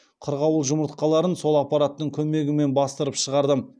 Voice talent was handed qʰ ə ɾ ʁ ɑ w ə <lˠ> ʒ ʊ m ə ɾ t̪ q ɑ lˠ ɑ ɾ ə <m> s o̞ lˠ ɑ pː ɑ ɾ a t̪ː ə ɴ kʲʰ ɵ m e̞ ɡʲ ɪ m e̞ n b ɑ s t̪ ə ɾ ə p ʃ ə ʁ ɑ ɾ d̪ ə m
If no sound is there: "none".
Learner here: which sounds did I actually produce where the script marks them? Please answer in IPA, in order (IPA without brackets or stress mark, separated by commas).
lˠ, n